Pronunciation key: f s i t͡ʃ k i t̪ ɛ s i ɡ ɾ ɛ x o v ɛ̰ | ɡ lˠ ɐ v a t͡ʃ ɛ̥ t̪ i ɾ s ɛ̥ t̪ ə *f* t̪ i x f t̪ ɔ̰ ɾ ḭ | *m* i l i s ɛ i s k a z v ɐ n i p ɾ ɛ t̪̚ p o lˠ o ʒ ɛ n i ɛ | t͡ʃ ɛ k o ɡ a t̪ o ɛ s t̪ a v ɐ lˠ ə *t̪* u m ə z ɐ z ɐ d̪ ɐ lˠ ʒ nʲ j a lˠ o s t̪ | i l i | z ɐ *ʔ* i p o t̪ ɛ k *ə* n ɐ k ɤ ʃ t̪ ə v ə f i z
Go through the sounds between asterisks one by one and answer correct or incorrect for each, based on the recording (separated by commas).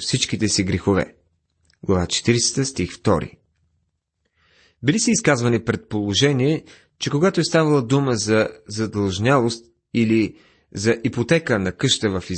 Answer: incorrect, incorrect, incorrect, correct, correct